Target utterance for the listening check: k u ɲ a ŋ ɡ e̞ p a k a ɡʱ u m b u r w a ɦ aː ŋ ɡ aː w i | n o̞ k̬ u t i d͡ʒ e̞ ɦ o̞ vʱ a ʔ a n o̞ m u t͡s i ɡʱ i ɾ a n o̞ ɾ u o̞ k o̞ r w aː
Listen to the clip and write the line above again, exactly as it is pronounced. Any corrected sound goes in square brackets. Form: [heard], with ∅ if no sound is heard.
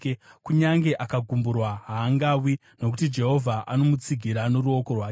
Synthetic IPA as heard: k u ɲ a ŋ ɡ e̞ [ʔ] a k a ɡʱ u m b u r w a ɦ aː ŋ ɡ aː w i | n o̞ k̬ u t i d͡ʒ e̞ ɦ o̞ vʱ a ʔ a n o̞ m u t͡s i ɡʱ i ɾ a n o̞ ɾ u o̞ k o̞ r w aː